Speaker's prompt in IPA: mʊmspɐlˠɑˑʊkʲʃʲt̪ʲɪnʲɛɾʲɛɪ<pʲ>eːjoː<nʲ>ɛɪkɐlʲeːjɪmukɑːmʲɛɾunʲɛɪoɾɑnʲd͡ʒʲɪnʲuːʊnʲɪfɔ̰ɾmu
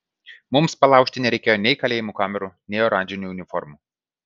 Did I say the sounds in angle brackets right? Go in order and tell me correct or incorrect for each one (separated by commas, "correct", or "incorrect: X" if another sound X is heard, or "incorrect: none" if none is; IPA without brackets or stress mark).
incorrect: kʲ, correct